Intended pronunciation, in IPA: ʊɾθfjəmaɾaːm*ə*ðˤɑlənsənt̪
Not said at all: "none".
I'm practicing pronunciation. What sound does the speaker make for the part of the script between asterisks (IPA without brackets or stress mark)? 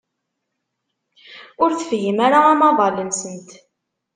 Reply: ɑ